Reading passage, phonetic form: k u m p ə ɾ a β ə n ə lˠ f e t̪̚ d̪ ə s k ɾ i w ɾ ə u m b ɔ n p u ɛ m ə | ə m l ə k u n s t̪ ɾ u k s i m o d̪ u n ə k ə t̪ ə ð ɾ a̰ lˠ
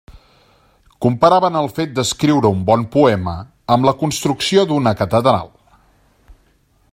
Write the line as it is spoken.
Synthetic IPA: k u m p ə ɾ a β ə n ə lˠ f e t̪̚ d̪ ə s k ɾ i w ɾ ə u m b ɔ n p u ɛ m ə | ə m l ə k u n s t̪ ɾ u k s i o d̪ u n ə k ə t̪ ə ð ɾ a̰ lˠ

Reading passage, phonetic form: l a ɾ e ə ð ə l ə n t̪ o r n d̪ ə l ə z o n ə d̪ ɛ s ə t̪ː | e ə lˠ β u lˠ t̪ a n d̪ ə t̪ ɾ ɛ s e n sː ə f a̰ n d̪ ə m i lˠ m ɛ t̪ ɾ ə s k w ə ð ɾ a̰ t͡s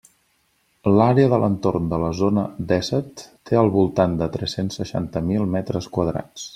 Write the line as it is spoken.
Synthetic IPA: l a ɾ e ə ð ə l ə n t̪ o r n d̪ ə l ə z o n ə d̪ ɛ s ə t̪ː | e ə lˠ β u lˠ t̪ a n d̪ ə t̪ ɾ ɛ s e n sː ə ʃ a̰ n t̪ ə m i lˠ m ɛ t̪ ɾ ə s k w ə ð ɾ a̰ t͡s

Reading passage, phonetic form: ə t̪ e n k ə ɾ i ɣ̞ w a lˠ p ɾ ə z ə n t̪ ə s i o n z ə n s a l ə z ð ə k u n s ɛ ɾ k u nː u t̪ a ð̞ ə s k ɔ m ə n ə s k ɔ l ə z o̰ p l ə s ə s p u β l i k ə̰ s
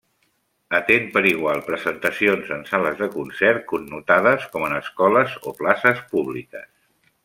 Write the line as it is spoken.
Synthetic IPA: ə t̪ e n p ə ɾ i ɣ̞ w a lˠ p ɾ ə z ə n t̪ ə s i o n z ə n s a l ə z ð ə k u n s ɛ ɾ k u nː u t̪ a ð̞ ə s k ɔ m ə n ə s k ɔ l ə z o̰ p l a s ə s p u β l i k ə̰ s

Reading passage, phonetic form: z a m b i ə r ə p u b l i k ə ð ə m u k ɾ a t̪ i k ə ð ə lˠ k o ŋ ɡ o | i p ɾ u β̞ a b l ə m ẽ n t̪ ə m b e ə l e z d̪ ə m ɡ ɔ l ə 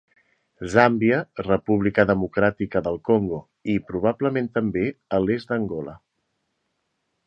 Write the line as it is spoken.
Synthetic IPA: z a m b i ə r ə p u β l i k ə ð ə m u k ɾ a t̪ i k ə ð ə lˠ k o ŋ ɡ o | i p ɾ u β̞ a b l ə m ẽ n t̪ ə m b e ə l e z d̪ ə ŋ ɡ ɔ l ə

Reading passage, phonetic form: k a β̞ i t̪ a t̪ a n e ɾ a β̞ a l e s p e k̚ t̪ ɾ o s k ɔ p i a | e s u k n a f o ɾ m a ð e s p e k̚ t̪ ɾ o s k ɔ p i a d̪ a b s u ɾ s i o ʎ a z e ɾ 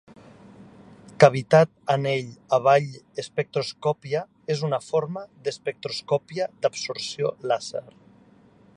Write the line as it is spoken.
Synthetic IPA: k a β̞ i t̪ a t̪ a n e ʎ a β̞ a ʎ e s p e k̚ t̪ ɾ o s k ɔ p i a | e z u n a f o ɾ m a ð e s p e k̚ t̪ ɾ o s k ɔ p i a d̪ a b s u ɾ s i o l a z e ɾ

